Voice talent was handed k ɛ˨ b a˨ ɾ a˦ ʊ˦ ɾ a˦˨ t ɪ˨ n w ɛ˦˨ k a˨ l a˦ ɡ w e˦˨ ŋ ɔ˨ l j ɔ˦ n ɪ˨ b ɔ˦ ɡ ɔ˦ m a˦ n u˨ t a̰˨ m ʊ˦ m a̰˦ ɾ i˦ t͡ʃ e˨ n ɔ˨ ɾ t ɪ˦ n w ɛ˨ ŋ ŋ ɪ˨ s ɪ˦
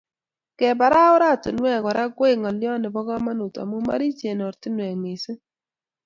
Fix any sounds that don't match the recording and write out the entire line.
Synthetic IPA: k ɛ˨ b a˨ ɾ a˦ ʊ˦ ɾ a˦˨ t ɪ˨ n w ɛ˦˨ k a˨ ɾ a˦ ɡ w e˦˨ ŋ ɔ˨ l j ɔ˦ n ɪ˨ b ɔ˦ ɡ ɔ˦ m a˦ n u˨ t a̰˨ m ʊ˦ m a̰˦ ɾ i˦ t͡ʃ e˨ n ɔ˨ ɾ t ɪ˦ n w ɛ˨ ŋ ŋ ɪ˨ s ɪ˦